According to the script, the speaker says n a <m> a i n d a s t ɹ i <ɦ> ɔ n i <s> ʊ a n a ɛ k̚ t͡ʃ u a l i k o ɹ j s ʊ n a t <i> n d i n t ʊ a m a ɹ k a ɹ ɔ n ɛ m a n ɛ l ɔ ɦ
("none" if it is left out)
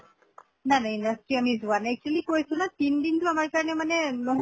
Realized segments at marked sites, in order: n, none, z, i

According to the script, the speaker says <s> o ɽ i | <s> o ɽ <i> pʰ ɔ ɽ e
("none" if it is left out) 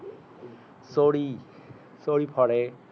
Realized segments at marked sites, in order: s, s, i

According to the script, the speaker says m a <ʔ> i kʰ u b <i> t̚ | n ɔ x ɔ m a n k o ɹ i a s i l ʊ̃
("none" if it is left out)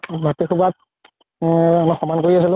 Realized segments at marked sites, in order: t, a

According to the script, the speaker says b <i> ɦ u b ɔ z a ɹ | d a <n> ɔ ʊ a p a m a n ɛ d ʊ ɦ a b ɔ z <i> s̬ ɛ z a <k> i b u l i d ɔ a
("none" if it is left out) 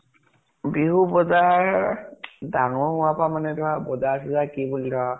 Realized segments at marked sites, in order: i, ŋ, a, k

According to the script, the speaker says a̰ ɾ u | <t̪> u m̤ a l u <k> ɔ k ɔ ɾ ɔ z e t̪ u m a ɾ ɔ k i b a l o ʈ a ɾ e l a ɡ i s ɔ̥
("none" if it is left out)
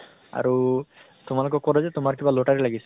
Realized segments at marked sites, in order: t̪, k

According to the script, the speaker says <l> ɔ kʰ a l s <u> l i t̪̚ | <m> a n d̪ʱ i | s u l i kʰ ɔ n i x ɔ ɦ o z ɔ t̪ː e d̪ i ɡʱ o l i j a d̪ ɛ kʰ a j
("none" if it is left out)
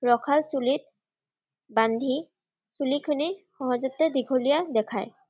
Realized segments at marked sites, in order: ɹ, u, b

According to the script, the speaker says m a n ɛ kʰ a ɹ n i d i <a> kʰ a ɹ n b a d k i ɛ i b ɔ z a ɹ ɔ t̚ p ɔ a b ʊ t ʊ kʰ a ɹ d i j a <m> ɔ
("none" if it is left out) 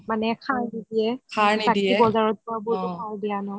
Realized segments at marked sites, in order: ɛ, n

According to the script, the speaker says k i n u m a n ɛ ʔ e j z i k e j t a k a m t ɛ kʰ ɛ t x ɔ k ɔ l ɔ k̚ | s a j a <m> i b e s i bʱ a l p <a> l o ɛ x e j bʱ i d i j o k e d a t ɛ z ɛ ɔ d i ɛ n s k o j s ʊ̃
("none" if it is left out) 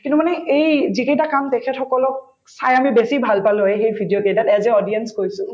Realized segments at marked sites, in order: m, a

